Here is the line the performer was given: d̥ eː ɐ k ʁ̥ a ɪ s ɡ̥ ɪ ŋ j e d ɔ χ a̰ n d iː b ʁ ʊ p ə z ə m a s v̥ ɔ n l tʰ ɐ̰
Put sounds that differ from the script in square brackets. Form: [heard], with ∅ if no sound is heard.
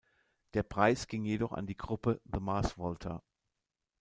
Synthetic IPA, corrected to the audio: d̥ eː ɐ [p] ʁ̥ a ɪ s ɡ̥ ɪ ŋ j e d ɔ χ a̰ n d iː [ɡ] ʁ ʊ p ə [ð] ə m a s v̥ ɔ [∅] l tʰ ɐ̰